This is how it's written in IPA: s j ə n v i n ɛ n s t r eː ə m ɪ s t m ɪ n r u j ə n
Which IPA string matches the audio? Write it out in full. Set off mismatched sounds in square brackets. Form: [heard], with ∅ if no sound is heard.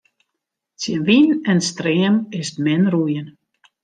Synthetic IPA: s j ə n [ʋ] i n ɛ n s t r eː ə m ɪ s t m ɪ n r u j ə n

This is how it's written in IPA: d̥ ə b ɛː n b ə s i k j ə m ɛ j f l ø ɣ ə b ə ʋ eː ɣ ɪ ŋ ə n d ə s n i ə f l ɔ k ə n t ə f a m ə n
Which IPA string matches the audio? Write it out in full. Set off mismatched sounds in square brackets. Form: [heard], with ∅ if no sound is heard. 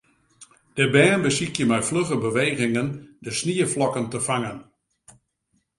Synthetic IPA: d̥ ə b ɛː n b ə s i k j ə m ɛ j f l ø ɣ ə b ə ʋ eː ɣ ɪ ŋ ə n d ə s n i ə f l ɔ k ə n t ə f a [ŋ] ə n

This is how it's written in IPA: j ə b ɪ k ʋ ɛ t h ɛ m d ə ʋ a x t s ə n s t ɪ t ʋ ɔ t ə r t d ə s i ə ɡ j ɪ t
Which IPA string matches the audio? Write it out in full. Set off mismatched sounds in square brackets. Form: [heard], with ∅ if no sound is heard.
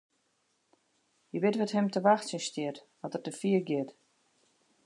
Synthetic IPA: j ə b ɪ [t] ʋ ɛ t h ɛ m [t] ə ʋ a x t s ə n s t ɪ t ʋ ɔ t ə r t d ə [f] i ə ɡ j ɪ t

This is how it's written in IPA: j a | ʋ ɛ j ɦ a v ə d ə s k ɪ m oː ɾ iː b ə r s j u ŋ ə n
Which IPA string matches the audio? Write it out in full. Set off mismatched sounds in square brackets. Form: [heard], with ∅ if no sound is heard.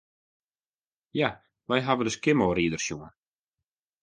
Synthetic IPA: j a | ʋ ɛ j ɦ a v ə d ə s k ɪ m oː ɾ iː [d] ə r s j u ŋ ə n

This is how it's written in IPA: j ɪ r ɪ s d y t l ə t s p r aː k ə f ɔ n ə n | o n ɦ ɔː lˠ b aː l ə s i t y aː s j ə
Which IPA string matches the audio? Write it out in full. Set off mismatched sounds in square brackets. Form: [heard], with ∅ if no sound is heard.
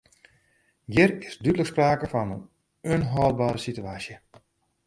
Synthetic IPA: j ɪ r ɪ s d y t l ə [k] s p r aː k ə f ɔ n ə n | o n ɦ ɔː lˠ b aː [ɾ] ə s i t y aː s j ə

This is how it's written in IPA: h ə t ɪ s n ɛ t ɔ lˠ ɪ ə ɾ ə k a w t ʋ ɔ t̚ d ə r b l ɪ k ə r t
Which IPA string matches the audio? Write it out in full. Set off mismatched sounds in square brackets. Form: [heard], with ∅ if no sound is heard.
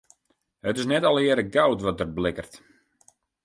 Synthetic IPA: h ə t ɪ s n ɛ t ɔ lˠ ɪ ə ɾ ə [ɡ] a w t ʋ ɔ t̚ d ə r b l ɪ k ə r t

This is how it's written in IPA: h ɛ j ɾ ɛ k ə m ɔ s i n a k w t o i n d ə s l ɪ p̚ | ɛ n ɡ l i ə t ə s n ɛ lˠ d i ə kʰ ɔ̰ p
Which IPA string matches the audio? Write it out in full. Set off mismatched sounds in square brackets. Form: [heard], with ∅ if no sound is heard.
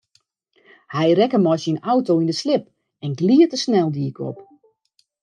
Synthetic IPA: h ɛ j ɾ ɛ k ə m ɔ s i n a [∅] w t o i n d ə s l ɪ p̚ | ɛ n ɡ l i ə t ə s n ɛ lˠ d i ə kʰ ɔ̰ p

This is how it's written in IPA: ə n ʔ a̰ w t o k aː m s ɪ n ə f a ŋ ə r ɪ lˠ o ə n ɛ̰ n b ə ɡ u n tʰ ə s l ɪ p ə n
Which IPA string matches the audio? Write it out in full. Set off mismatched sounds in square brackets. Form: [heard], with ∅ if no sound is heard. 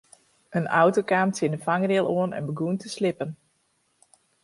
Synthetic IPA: ə n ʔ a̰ w t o k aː m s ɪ n ə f a ŋ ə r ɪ lˠ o ə n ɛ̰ n b ə ɡ u n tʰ ə s l ɪ p ə n

